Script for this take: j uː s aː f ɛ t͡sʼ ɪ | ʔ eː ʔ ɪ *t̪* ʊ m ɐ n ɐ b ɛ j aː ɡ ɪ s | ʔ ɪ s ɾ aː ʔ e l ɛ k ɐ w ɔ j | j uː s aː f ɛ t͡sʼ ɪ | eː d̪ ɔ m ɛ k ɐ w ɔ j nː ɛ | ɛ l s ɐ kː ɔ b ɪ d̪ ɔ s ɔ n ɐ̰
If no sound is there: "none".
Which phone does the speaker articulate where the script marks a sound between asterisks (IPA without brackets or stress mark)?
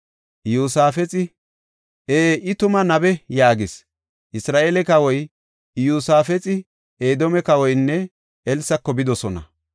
t̪